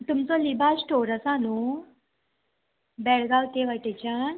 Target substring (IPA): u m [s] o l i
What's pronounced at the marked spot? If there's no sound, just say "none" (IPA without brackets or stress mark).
t͡s